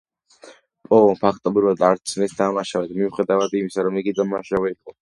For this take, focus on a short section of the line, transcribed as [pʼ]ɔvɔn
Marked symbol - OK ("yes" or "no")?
yes